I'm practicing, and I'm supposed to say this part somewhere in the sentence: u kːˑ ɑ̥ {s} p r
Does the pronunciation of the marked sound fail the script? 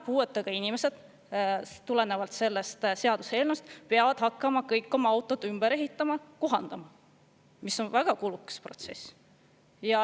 no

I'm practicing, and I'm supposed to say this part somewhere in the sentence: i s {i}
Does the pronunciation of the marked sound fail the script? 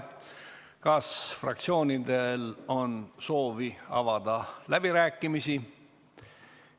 no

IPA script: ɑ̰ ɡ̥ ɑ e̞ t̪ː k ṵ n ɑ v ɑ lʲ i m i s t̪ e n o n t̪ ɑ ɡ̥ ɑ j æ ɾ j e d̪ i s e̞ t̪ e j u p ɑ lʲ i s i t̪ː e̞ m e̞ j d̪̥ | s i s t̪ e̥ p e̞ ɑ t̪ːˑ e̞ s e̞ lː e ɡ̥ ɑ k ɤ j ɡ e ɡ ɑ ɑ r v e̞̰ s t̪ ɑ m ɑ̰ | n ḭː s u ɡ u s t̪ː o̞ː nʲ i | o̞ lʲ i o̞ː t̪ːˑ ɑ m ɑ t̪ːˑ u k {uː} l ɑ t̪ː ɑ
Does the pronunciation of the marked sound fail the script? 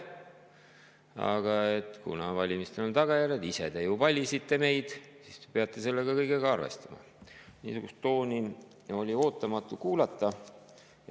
no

